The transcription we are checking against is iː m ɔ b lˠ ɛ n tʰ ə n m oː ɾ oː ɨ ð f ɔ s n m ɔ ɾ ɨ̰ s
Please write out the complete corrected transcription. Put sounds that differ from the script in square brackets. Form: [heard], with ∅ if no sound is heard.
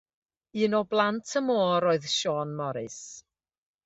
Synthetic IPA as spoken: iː [n] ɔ b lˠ [a] n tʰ ə [∅] m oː ɾ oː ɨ ð [ʃ] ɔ [∅] n m ɔ ɾ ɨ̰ s